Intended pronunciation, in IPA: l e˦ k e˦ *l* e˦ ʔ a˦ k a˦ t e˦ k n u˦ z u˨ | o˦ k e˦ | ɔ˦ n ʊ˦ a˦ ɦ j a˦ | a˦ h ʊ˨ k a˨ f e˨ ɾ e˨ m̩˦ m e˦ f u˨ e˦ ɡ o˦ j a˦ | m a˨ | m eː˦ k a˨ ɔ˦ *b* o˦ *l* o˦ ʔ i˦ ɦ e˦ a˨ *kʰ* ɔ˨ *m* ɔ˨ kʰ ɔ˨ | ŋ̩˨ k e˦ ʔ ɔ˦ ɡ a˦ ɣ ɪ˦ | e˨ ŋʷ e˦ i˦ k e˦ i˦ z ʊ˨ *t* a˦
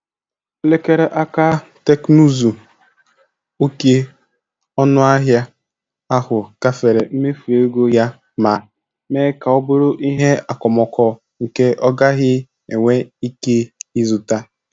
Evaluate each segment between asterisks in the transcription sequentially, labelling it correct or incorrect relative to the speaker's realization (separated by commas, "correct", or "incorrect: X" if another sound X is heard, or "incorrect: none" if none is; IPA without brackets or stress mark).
incorrect: ɾ, correct, incorrect: ɾ, incorrect: k, correct, correct